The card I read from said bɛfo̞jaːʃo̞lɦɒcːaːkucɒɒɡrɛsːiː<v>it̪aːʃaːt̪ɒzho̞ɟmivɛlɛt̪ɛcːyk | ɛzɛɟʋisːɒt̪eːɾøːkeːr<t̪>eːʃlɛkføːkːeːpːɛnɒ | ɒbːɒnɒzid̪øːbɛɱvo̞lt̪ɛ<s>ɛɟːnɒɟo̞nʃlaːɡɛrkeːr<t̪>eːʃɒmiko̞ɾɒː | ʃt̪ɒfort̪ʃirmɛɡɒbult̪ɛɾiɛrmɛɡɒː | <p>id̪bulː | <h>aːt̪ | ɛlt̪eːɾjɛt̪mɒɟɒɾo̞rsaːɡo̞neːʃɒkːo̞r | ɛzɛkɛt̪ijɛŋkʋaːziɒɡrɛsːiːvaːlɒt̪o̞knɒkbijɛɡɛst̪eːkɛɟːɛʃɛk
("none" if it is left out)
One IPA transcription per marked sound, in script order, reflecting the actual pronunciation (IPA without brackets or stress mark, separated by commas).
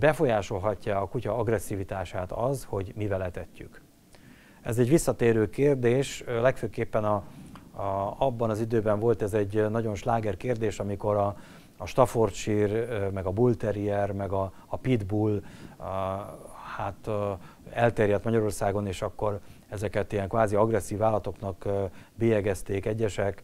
v, d̪, z, d̪, p, h